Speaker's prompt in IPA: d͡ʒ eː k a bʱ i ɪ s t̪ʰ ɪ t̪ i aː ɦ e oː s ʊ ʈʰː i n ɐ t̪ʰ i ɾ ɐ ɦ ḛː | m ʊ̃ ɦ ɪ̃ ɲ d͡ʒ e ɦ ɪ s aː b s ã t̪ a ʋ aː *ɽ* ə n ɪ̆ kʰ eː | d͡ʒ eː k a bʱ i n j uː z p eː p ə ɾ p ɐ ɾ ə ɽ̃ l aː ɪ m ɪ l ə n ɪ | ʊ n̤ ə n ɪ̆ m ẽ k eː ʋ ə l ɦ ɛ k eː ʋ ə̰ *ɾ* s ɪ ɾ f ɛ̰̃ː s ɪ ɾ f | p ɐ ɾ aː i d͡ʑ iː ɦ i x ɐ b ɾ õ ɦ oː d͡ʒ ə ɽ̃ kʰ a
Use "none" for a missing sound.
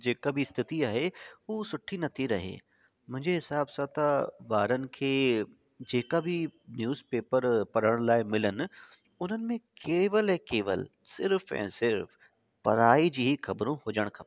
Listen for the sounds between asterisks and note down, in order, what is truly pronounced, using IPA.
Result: ɾ, l

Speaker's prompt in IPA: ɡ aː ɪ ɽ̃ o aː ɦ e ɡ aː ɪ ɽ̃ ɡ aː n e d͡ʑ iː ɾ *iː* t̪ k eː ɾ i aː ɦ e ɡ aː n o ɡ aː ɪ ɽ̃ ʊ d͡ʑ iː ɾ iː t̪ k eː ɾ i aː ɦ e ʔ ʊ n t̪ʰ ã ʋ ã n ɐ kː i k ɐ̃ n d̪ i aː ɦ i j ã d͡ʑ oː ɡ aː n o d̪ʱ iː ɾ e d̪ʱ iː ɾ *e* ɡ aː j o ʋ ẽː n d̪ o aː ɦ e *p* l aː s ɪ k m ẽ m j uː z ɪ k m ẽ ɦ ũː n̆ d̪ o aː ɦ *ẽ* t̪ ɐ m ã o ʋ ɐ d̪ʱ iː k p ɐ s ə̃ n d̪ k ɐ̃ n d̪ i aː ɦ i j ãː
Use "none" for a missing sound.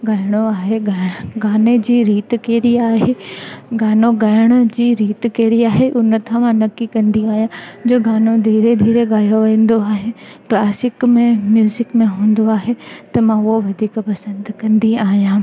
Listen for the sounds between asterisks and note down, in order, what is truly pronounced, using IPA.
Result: iː, e, k, e

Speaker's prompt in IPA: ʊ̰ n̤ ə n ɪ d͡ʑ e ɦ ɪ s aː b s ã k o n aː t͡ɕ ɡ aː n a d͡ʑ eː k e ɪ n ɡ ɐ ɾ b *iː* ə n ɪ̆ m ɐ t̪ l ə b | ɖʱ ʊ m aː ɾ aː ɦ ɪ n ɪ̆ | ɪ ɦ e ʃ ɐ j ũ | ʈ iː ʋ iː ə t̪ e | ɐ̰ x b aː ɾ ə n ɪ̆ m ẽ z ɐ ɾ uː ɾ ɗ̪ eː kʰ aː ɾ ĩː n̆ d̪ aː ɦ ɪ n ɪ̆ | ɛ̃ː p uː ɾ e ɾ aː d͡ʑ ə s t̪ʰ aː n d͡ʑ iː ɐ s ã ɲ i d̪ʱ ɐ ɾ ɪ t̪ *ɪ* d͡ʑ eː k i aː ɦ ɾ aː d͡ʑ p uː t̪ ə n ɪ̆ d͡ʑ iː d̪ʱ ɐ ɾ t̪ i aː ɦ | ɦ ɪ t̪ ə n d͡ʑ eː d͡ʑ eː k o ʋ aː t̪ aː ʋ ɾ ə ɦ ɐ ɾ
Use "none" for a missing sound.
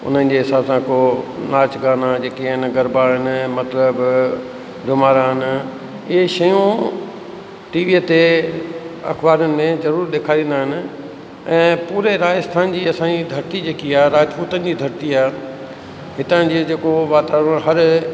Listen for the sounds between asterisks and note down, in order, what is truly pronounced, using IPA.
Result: aː, i

